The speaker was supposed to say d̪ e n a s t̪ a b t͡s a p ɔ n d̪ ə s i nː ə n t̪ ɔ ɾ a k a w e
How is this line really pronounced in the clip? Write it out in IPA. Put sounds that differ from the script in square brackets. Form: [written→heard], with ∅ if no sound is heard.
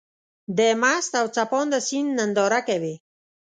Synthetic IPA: d̪ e [n→m] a s t̪ a [b→w] t͡s a p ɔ n d̪ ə s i nː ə n [t̪→d̪] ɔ ɾ a k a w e